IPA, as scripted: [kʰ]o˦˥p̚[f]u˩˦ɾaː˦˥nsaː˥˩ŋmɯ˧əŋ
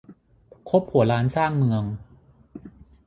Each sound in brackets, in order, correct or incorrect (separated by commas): correct, incorrect